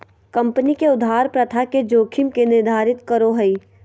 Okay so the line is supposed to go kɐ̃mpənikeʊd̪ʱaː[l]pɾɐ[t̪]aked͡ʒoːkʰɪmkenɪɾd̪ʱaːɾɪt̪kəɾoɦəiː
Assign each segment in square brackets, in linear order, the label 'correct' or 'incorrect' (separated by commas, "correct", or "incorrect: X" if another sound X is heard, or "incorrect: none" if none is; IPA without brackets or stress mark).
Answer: incorrect: ɾ, incorrect: t̪ʰ